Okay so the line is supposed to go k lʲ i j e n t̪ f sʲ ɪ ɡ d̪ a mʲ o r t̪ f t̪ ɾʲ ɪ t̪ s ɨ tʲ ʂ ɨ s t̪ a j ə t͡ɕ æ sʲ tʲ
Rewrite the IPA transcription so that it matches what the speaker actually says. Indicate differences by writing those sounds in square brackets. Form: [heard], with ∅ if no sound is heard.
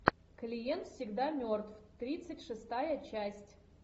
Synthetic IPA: k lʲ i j e n t̪ f sʲ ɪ ɡ d̪ a mʲ o r t̪ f t̪ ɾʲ [i] t̪ s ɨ tʲ ʂ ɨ s t̪ a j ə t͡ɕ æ sʲ tʲ

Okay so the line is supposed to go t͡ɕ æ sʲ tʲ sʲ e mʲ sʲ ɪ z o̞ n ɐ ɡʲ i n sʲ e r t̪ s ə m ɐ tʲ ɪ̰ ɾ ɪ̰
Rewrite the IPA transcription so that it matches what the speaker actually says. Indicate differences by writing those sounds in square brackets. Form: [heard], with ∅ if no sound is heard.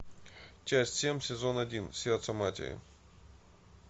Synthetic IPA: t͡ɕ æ sʲ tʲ sʲ e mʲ sʲ ɪ z o̞ n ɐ [dʲ] i n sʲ e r t̪ s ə m [a] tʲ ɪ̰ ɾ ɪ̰

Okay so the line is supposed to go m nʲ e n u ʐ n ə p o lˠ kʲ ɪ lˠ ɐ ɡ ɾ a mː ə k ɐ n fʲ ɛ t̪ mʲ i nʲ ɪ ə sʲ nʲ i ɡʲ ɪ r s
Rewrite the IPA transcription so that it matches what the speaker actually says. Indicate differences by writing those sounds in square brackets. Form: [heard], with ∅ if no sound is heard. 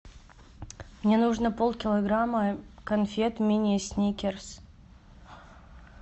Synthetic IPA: m nʲ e n u ʐ n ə p o lˠ kʲ ɪ lˠ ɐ ɡ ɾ a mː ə k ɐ n fʲ [e] t̪ mʲ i nʲ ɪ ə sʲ nʲ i [kʲ] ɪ r s

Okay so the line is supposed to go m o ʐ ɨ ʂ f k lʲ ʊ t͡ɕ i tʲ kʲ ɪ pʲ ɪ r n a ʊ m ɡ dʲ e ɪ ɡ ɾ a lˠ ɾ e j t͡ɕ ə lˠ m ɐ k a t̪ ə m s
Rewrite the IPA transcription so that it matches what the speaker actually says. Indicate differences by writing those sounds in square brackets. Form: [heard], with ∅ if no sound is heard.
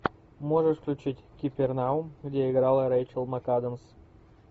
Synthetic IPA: m o ʐ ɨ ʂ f k lʲ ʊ t͡ɕ i tʲ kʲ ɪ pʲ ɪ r n a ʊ m ɡ dʲ e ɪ ɡ ɾ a lˠ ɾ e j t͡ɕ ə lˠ m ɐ k a [d̪] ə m s

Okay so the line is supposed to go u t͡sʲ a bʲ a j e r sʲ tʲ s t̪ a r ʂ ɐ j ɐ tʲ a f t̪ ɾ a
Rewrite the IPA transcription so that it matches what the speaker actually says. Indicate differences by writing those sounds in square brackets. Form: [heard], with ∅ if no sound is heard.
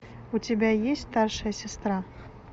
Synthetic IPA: u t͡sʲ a bʲ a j e [∅] sʲ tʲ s t̪ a r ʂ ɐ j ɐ [sʲ] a [s] t̪ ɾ a

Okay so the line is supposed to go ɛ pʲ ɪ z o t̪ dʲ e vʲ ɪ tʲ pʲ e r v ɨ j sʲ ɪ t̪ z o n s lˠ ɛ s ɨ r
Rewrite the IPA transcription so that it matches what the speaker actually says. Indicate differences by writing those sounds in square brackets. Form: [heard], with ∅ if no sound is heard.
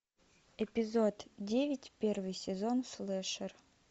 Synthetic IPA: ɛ pʲ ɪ z o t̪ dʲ e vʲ ɪ tʲ pʲ e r v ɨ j sʲ ɪ [∅] z o n s lˠ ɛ [ʂ] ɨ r

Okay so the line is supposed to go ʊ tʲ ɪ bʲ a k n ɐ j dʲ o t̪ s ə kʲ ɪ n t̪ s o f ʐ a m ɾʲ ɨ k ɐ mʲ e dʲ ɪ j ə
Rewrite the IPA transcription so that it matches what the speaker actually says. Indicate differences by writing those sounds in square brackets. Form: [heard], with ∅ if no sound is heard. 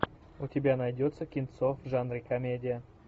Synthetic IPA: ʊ tʲ ɪ bʲ a [∅] n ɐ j dʲ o t̪ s ə kʲ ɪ n t̪ s o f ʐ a [n] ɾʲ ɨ k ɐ mʲ e dʲ ɪ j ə

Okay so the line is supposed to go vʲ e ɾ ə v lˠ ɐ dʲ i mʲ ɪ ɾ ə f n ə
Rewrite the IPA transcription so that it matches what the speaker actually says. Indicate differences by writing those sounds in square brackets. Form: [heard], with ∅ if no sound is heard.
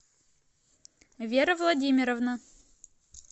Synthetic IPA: vʲ e ɾ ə v lˠ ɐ dʲ i mʲ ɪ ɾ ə [v] n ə

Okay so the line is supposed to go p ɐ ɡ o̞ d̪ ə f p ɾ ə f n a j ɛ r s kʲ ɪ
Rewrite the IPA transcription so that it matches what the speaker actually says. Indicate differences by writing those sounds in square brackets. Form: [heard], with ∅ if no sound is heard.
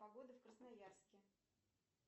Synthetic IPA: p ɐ ɡ o̞ d̪ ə f [k] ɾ ə [s] n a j [a] r s kʲ ɪ

